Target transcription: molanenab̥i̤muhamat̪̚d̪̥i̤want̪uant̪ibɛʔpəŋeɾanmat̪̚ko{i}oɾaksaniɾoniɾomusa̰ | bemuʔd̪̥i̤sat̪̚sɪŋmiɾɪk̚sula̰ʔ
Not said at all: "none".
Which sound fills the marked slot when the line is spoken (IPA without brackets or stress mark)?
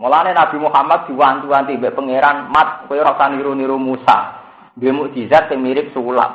j